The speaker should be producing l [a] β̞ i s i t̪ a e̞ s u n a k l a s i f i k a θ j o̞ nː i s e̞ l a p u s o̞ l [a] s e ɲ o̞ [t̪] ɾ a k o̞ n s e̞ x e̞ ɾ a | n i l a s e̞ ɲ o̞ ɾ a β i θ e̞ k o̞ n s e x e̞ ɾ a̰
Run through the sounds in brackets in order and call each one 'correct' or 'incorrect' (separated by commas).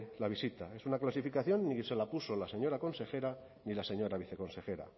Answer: correct, correct, incorrect